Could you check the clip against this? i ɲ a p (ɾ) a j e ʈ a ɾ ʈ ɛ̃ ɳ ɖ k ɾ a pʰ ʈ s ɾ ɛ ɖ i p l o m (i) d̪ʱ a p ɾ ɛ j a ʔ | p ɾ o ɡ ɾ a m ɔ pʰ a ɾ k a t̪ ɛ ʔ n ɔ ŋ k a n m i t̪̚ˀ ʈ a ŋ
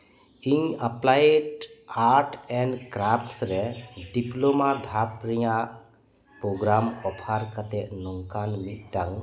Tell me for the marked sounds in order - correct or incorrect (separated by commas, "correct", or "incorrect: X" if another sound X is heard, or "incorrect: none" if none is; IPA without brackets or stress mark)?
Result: incorrect: l, incorrect: a